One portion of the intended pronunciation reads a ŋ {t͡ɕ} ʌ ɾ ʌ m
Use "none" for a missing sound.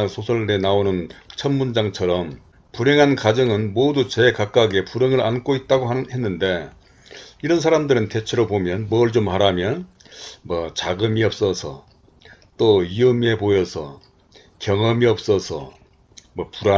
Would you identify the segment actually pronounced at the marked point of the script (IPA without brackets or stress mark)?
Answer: t͡ɕʰ